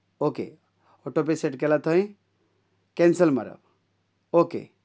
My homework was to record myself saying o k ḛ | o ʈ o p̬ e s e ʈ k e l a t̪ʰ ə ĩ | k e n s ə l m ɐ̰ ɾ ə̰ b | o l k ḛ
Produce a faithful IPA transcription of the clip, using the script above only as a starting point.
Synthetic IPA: o k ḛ | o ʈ o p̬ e s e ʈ k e l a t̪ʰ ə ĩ | k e n s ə l m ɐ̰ ɾ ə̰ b | o k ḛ